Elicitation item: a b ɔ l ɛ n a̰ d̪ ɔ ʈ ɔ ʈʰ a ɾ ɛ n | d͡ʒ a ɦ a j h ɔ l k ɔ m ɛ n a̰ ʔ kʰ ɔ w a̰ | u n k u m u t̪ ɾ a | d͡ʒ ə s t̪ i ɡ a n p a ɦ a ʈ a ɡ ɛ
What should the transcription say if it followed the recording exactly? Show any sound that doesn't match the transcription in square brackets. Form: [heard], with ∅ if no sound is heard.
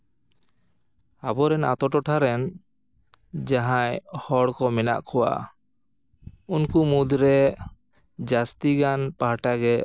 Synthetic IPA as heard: a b ɔ [ɾ] ɛ n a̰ [t̪] ɔ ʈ ɔ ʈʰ a ɾ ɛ n | d͡ʒ a ɦ a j h ɔ [ɽ] k ɔ m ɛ n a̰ ʔ kʰ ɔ w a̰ | u n k u m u [d̪] ɾ [ɛ] | d͡ʒ [a] s t̪ i ɡ a n p a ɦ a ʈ a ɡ ɛ